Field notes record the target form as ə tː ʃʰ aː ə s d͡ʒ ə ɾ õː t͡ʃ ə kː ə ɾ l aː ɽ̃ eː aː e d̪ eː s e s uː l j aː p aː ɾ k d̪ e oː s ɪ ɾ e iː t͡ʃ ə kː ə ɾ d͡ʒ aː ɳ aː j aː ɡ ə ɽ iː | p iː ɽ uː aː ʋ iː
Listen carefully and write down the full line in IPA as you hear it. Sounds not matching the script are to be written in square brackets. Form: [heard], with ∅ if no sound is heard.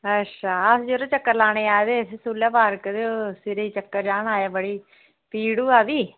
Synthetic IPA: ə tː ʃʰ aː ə s d͡ʒ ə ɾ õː t͡ʃ ə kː ə ɾ l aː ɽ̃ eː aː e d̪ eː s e s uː l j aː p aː ɾ k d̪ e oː s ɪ ɾ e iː t͡ʃ ə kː ə ɾ d͡ʒ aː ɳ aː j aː [b] ə ɽ iː | p iː ɽ uː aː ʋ iː

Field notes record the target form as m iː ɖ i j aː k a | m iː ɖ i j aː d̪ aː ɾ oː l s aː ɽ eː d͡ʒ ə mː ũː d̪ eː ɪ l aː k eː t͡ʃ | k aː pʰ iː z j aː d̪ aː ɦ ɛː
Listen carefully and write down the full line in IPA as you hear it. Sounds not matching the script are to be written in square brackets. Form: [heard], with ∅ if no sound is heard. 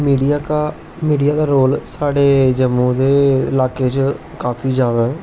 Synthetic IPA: m iː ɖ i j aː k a | m iː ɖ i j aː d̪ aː ɾ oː l s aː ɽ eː d͡ʒ ə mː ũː d̪ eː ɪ l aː k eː t͡ʃ | k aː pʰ iː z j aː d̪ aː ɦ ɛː

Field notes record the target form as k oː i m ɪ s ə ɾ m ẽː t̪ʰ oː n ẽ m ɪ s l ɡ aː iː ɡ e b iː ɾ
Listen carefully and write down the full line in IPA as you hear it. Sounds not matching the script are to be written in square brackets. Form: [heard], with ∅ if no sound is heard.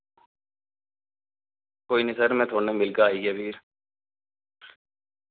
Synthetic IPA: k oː i [n] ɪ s ə ɾ m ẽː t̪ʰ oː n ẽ m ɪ [∅] l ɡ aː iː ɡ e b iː ɾ

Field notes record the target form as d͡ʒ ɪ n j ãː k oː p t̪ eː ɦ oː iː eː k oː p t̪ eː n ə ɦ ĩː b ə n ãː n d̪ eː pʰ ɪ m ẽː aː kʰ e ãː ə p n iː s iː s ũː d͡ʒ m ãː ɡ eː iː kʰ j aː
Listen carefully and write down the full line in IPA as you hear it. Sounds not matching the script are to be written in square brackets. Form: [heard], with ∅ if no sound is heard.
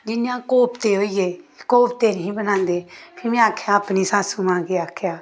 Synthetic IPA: d͡ʒ ɪ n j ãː k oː p t̪ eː ɦ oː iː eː k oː p t̪ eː n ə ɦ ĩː b ə n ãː n d̪ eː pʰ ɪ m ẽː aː kʰ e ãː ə p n iː s [aː] s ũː [∅] m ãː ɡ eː [aː] kʰ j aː

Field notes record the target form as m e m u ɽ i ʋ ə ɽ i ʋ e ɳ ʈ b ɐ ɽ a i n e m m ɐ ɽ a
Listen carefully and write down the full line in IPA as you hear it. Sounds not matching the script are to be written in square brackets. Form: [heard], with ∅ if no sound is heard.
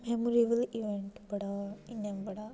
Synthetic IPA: m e m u [ɾ] i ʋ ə [l] i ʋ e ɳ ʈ b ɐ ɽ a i n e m [b] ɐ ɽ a

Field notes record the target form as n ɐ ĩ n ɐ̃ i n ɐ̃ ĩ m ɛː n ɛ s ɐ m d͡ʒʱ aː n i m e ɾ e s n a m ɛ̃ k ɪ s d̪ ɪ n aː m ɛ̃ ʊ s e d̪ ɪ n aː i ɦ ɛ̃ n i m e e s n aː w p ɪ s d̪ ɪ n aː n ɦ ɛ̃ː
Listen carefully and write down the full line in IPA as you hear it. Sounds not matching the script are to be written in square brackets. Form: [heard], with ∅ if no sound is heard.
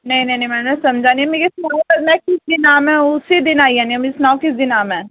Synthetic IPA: n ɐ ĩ n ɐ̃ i n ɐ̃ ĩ m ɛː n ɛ s ɐ m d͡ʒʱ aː n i m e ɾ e s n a m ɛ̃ k ɪ s d̪ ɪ n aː m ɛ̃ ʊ s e d̪ ɪ n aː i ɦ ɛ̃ n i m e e s n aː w [k] ɪ s d̪ ɪ n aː [m] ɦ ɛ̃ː

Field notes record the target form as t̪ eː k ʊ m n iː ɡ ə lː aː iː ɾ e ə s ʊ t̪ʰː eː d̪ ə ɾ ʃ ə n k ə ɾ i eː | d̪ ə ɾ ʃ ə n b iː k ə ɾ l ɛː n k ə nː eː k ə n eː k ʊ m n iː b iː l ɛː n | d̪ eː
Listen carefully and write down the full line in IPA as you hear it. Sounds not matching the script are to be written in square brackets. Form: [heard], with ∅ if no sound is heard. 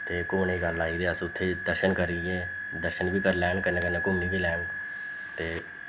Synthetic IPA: t̪ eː k ʊ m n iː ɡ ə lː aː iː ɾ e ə s ʊ t̪ʰː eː d̪ ə ɾ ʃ ə n k ə ɾ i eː | d̪ ə ɾ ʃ ə n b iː k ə ɾ l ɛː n k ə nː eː k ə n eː k ʊ m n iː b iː l ɛː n | [t̪] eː

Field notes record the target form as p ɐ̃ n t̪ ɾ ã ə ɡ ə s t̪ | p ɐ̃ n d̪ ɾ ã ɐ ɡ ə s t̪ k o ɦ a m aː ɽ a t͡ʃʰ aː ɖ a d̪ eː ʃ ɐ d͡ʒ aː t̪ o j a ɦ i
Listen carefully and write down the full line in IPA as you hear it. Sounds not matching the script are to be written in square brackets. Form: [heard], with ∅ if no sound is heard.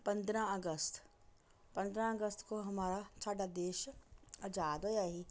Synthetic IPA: p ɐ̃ n [d̪] ɾ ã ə ɡ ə s t̪ | p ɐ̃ n d̪ ɾ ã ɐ ɡ ə s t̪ k o ɦ [ɐ] m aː [ɾ] a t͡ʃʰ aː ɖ a d̪ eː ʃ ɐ d͡ʒ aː [d̪] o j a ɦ i

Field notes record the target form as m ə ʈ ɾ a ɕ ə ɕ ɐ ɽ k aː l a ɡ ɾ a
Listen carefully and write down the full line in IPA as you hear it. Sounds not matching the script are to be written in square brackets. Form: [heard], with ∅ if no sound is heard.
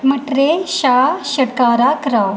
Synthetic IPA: m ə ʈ ɾ [e] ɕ [a] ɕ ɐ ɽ k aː [ɾ] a [k] ɾ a

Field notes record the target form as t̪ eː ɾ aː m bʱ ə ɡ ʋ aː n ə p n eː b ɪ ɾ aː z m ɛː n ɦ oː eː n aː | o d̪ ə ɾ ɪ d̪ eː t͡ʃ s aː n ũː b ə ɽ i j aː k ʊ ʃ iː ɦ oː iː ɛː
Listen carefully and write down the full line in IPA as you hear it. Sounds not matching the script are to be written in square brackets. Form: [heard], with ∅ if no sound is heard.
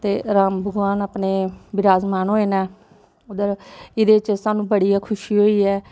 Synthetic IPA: t̪ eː ɾ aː m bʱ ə ɡ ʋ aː n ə p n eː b ɪ ɾ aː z m [aː] n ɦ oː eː n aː | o d̪ ə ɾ ɪ d̪ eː t͡ʃ s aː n ũː b ə ɽ i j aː [kʰ] ʊ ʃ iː ɦ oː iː ɛː

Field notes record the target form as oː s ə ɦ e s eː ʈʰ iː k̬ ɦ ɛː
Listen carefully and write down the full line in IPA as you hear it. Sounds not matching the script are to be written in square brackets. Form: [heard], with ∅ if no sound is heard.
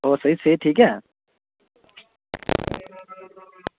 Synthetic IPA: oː s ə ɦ [i] s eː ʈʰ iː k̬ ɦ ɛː

